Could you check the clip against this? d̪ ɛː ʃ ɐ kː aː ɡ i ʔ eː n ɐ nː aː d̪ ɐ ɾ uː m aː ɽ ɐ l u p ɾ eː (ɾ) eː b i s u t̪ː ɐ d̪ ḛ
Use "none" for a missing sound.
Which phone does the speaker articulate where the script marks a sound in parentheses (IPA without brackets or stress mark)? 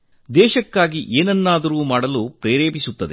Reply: ɾ